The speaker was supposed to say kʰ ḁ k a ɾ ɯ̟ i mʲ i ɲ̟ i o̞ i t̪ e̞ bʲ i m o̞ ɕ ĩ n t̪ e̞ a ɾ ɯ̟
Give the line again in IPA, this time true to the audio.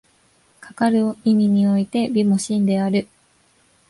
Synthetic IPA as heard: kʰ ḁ k a ɾ ɯ̟ i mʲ i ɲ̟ i o̞ i t̪ e̞ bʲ i m o̞ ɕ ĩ n d̪ e̞ a ɾ ɯ̟